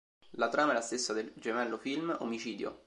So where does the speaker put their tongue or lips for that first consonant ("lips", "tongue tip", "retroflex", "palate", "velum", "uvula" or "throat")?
tongue tip